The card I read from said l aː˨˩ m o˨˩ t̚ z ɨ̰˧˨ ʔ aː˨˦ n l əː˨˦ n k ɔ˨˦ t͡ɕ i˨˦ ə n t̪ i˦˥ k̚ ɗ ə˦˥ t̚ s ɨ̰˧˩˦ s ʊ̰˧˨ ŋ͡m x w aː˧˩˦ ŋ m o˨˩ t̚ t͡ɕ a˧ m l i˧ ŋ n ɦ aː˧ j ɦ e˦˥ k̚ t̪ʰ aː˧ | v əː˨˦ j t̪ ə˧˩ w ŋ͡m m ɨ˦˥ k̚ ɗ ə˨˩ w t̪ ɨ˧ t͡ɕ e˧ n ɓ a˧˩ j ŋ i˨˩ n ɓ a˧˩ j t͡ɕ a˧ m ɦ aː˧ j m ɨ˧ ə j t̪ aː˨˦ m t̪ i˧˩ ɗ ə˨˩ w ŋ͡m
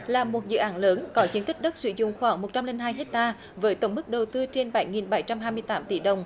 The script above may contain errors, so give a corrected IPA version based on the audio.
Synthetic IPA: l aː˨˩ m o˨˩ t̚ z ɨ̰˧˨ ʔ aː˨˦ n l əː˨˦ n k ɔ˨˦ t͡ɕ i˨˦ ə n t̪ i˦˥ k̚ ɗ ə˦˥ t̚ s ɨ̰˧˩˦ z ʊ̰˧˨ ŋ͡m x w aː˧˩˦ ŋ m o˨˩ t̚ t͡ɕ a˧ m l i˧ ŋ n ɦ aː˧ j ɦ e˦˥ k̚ t̪ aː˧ | v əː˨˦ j t̪ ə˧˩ w ŋ͡m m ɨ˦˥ k̚ ɗ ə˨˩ w t̪ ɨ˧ t͡ɕ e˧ n ɓ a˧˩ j ŋ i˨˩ n ɓ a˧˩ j t͡ɕ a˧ m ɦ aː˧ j m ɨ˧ ə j t̪ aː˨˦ m t̪ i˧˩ ɗ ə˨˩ w ŋ͡m